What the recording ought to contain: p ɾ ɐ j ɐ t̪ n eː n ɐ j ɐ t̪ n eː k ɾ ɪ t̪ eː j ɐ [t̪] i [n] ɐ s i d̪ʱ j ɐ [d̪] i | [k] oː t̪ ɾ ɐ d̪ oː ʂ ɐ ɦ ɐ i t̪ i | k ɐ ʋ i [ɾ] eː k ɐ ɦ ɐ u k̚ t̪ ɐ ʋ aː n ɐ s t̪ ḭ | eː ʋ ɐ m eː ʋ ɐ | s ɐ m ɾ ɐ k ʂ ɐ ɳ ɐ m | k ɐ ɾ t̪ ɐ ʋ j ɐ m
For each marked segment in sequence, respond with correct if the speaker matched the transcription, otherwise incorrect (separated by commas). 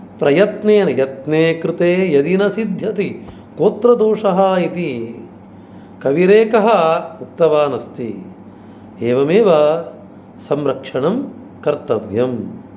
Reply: incorrect, correct, incorrect, correct, correct